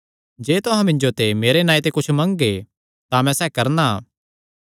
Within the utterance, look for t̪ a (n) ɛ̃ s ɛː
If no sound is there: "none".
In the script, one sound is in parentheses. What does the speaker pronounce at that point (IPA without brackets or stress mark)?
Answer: m